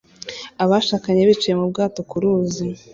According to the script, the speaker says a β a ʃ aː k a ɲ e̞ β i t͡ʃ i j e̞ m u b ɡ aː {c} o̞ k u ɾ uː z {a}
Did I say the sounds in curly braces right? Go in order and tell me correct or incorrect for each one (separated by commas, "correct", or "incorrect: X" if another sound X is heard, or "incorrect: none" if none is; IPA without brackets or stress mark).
incorrect: t, incorrect: i